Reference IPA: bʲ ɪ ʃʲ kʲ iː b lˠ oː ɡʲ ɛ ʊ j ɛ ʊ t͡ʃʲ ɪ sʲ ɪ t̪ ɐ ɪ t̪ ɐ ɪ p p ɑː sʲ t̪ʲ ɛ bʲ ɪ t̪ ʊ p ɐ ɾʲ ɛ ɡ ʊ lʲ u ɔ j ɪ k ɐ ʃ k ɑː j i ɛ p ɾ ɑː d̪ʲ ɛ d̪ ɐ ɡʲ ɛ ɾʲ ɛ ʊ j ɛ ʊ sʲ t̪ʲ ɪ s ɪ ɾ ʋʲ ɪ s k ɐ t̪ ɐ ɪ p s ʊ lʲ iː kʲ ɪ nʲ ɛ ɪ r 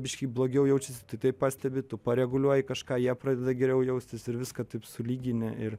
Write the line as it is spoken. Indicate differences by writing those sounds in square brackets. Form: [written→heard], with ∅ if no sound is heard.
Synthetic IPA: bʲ ɪ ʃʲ kʲ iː b lˠ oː ɡʲ ɛ ʊ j ɛ ʊ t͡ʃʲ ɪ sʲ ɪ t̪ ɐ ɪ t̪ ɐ ɪ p p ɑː sʲ t̪ʲ ɛ bʲ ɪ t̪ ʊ p ɐ ɾʲ ɛ ɡ ʊ lʲ u ɔ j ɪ k ɐ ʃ k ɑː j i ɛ p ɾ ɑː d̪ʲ ɛ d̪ ɐ ɡʲ ɛ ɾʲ ɛ ʊ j ɛ ʊ sʲ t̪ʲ ɪ s ɪ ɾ ʋʲ ɪ s k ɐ t̪ ɐ ɪ p s ʊ lʲ iː [kʲ→ɡʲ] ɪ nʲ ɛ ɪ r